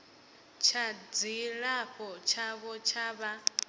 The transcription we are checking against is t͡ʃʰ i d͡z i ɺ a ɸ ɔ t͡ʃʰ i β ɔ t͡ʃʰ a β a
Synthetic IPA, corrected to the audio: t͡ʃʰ a d͡z i ɺ a ɸ ɔ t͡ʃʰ a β ɔ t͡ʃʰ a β a